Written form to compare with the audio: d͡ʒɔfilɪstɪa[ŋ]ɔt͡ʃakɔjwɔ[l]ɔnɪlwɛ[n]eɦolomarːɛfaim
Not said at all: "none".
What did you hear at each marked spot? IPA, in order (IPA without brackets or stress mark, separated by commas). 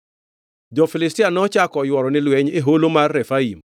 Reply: n, ɾ, ɲ